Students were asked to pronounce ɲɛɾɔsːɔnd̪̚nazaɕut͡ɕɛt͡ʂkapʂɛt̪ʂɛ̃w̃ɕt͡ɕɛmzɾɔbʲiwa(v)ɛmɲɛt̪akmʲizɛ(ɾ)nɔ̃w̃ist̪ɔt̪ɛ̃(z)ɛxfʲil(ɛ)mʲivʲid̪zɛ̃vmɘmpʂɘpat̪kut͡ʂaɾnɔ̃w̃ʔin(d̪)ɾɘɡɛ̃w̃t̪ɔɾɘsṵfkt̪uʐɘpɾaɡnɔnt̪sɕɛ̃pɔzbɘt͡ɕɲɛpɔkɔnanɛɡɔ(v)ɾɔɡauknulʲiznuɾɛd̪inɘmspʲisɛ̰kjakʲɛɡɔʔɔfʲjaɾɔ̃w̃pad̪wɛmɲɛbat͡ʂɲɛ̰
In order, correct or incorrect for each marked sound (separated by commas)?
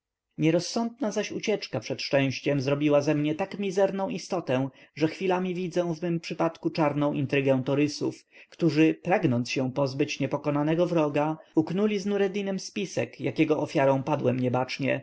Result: incorrect, correct, incorrect, incorrect, incorrect, correct